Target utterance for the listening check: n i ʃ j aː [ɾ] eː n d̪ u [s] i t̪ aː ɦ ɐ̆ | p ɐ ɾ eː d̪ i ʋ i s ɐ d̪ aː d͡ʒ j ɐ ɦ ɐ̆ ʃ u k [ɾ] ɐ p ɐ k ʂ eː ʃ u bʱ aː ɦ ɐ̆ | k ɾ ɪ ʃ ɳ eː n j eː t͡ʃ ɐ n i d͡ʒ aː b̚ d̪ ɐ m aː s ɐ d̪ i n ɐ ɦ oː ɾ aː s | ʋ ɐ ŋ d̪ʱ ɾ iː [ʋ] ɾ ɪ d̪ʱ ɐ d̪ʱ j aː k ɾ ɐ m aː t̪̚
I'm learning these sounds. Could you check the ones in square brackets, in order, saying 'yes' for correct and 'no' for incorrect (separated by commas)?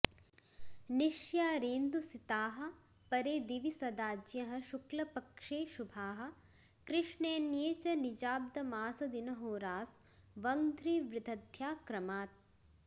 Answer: yes, yes, no, yes